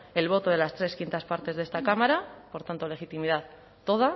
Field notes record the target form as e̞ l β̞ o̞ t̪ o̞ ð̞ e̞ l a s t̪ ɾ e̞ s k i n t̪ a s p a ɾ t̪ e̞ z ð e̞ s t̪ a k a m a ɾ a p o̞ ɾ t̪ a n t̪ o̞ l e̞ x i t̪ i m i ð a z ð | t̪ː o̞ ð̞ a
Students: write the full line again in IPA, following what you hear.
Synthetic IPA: e̞ l β̞ o̞ t̪ o̞ ð̞ e̞ l a s t̪ ɾ e̞ s k i n t̪ a s p a ɾ t̪ e̞ z ð e̞ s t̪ a k a m a ɾ a p o̞ ɾ t̪ a n t̪ o̞ l e̞ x i t̪ i m i ð a ð | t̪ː o̞ ð̞ a